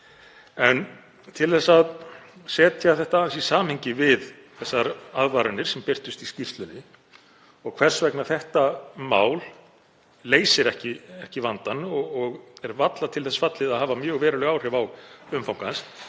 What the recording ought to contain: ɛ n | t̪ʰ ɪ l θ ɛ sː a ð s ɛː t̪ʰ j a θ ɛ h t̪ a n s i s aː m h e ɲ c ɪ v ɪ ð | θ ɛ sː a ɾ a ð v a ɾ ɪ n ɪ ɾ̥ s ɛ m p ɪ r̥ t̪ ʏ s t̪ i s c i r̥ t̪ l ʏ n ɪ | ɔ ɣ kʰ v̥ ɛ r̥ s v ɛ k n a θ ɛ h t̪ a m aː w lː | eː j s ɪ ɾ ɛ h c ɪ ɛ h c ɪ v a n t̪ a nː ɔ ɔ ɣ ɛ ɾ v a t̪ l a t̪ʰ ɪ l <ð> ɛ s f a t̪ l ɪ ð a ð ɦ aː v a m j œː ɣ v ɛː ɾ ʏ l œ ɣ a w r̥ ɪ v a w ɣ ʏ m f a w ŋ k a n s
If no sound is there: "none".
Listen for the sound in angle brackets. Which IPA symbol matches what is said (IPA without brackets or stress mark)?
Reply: θ